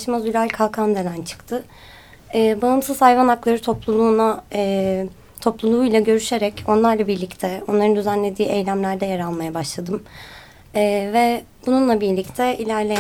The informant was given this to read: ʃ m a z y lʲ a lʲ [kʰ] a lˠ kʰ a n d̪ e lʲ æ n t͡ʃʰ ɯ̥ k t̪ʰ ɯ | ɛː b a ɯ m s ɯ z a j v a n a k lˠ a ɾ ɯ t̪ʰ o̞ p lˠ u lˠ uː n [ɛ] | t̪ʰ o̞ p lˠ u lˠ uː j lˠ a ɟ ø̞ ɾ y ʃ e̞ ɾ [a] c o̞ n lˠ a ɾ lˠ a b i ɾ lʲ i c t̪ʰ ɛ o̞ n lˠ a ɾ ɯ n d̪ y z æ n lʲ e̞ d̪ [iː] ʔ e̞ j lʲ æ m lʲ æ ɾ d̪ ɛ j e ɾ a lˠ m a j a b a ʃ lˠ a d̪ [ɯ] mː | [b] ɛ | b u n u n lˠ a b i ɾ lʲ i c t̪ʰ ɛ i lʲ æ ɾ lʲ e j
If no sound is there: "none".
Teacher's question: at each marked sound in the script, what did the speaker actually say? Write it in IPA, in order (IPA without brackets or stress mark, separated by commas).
kʰ, a, ɛ, iː, ɯ, v